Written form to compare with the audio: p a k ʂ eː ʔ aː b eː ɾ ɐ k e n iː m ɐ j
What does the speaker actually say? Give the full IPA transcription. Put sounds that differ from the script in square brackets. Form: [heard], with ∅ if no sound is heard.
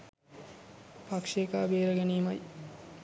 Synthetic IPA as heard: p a k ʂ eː [k] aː b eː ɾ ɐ [ɡ] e n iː m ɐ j